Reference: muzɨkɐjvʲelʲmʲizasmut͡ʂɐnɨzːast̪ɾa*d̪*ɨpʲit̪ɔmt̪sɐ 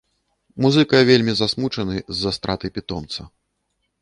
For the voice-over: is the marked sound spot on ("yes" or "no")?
no